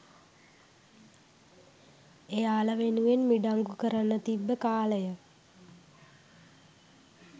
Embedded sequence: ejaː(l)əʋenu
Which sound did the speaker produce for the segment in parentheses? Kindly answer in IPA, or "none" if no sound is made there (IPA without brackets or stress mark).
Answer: l